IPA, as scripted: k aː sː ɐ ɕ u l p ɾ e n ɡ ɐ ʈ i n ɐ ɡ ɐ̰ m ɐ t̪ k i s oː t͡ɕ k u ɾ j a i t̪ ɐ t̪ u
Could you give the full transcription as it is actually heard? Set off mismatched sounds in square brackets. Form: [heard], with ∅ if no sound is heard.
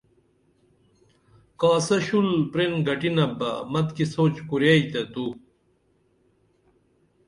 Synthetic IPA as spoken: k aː [s] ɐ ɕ u l p ɾ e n ɡ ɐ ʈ i n ɐ [b] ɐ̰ m ɐ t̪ k i s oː t͡ɕ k u ɾ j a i t̪ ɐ t̪ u